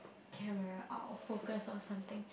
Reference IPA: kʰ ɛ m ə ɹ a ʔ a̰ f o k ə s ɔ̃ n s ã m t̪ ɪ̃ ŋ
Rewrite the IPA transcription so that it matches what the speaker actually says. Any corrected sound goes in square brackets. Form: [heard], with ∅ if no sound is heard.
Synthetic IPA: kʰ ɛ m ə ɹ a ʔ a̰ f o k ə s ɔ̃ n s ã m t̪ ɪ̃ ŋ